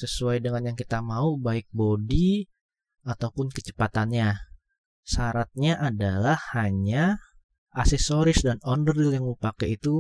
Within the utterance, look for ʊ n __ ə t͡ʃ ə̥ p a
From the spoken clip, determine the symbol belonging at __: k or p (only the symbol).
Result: k